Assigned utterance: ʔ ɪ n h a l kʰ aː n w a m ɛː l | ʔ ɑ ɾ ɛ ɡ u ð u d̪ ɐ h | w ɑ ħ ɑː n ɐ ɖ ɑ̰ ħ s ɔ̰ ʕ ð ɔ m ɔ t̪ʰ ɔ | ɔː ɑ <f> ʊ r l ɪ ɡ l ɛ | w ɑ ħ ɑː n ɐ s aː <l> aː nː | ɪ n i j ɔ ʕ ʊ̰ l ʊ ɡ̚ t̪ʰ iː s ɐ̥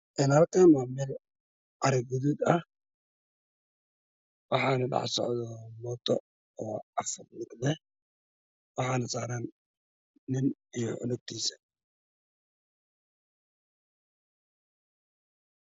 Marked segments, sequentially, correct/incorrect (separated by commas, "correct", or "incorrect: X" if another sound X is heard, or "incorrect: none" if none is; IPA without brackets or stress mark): correct, incorrect: ɾ